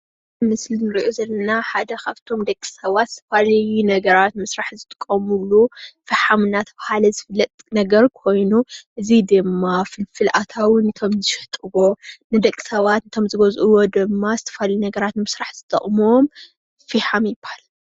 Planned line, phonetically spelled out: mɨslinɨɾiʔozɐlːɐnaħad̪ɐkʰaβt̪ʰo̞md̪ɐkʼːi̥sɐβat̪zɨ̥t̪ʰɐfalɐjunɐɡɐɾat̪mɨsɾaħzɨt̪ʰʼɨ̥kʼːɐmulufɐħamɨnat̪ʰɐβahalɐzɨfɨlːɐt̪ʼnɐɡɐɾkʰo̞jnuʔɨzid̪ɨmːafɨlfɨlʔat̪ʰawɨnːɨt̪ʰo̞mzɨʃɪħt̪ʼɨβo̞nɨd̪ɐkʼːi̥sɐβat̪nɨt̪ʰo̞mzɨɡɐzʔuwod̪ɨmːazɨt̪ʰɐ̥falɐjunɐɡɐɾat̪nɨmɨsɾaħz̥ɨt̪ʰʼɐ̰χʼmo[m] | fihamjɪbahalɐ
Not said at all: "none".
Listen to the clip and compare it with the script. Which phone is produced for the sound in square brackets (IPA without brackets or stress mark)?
m